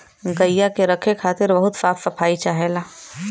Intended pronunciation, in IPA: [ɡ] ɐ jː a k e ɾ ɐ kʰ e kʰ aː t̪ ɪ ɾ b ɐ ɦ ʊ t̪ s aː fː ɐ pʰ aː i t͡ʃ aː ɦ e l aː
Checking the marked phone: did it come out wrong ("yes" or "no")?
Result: no